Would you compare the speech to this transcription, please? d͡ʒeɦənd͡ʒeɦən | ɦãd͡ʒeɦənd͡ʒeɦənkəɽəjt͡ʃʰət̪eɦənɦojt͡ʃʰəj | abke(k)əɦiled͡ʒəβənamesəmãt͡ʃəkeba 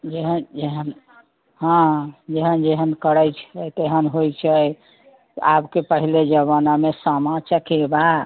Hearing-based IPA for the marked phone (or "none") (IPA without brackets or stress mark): p